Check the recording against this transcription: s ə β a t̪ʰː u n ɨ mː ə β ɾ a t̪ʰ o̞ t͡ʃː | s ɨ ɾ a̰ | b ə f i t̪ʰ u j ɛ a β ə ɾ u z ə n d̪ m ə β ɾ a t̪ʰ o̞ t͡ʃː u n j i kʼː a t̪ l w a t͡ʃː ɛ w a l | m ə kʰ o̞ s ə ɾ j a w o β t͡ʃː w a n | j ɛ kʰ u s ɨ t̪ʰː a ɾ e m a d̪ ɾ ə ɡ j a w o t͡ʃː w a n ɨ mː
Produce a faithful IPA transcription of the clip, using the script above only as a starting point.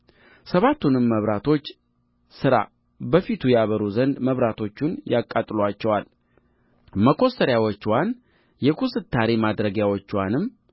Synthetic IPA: s ə β a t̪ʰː u n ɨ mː ə β ɾ a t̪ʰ o̞ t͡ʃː | s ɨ ɾ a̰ | b ə f i t̪ʰ u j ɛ a β ə ɾ u z ə n d̪ m ə β ɾ a t̪ʰ o̞ t͡ʃː u n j a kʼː a t̪ʼ l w a t͡ʃː ɛ w a l | m ə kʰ o̞ s ə ɾ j a w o t͡ʃː w a n | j ɛ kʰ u s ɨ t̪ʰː a ɾ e m a d̪ ɾ ə ɡ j a w o t͡ʃː w a n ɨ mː